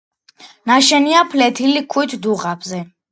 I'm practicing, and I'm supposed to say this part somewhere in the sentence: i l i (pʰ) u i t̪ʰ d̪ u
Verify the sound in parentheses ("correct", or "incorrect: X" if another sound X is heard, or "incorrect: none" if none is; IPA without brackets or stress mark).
incorrect: kʰ